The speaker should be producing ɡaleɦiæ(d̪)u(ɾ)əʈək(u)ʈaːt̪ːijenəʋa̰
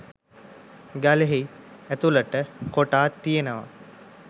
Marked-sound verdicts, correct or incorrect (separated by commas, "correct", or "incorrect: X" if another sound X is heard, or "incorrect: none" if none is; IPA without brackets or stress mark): incorrect: t̪, incorrect: l, incorrect: o